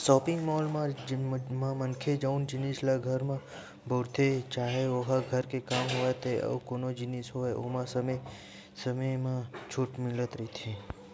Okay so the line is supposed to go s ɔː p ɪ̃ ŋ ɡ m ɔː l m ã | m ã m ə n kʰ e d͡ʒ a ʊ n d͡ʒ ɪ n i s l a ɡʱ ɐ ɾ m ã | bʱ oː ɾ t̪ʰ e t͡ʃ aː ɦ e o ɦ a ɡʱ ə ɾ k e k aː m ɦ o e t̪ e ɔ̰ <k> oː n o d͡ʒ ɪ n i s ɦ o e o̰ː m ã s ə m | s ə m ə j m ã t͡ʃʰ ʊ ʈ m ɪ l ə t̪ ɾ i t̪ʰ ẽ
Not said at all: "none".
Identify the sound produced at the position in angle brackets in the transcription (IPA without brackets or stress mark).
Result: k